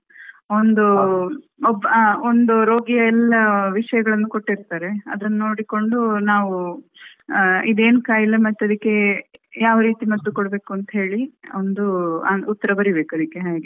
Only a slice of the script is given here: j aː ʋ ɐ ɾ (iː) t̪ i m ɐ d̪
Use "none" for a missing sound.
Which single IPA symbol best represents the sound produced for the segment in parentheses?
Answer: iː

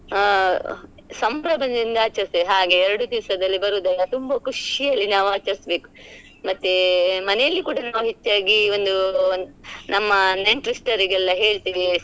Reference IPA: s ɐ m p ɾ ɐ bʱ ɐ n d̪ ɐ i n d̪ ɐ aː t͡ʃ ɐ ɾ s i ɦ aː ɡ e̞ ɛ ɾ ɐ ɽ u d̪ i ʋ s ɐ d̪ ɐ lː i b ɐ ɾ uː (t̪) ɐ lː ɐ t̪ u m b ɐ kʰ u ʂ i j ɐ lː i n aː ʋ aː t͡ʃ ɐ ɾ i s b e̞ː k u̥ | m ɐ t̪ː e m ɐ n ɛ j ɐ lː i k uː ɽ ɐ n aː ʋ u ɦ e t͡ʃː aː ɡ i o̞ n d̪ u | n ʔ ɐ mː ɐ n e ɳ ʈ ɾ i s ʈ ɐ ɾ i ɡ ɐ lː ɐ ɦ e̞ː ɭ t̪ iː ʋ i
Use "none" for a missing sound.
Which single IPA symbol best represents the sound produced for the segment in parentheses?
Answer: d̪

